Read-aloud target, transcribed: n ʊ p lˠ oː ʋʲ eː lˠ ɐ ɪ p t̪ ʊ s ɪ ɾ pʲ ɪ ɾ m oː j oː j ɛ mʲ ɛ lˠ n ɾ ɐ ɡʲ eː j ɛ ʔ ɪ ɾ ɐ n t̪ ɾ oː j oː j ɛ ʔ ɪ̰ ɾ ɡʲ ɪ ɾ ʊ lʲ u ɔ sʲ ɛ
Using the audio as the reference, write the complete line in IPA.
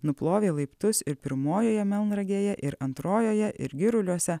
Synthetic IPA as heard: n ʊ p lˠ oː ʋʲ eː lˠ ɐ ɪ p t̪ ʊ s ɪ ɾ pʲ ɪ ɾ m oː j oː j ɛ mʲ ɛ lˠ n ɾ ɐ ɡʲ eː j ɛ ʔ ɪ ɾ ɐ n t̪ ɾ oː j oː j ɛ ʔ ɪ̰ ɾ ɡʲ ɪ ɾ ʊ lʲ u ɔ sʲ ɛ